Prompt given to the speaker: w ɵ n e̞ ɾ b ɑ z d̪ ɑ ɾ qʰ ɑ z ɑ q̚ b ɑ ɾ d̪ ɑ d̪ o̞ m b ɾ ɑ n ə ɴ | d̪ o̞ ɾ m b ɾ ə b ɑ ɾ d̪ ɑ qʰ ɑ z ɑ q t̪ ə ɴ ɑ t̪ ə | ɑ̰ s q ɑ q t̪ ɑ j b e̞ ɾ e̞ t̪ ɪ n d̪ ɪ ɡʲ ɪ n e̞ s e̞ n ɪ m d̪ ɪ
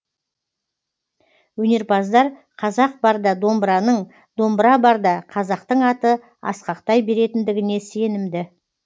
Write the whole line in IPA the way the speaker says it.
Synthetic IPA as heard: w ɵ n e̞ ɾ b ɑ z d̪ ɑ ɾ qʰ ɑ z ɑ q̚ b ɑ ɾ d̪ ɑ d̪ o̞ m b ɾ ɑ n ə ɴ | d̪ o̞ m b ɾ ɑ b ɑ ɾ d̪ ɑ qʰ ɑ z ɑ q t̪ ə ɴ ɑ t̪ ə | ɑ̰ s q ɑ q t̪ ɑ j b e̞ ɾ e̞ t̪ ɪ n d̪ ɪ ɡʲ ɪ n e̞ s e̞ n ɪ m d̪ ɪ